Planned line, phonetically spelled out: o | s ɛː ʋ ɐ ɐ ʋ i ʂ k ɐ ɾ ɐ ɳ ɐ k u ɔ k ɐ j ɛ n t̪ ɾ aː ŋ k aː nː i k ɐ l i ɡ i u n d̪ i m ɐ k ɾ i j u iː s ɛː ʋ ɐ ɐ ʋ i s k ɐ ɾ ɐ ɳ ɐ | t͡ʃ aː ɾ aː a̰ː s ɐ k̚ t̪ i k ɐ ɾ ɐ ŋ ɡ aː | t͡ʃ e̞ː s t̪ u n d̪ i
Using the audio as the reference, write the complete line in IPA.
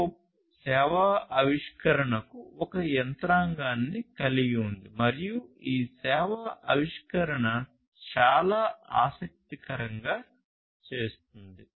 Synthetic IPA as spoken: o | s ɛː ʋ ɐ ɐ ʋ i ʂ k ɐ ɾ ɐ ɳ ɐ k u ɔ k ɐ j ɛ n t̪ ɾ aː ŋ ɡ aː nː i k ɐ l i ɡ i u n d̪ i m ɐ ɾ i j u iː s ɛː ʋ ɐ ɐ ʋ i ʂ k ɐ ɾ ɐ ɳ ɐ | t͡ʃ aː l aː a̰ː s ɐ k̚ t̪ i k ɐ ɾ ɐ ŋ ɡ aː | t͡ʃ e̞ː s t̪ u n d̪ i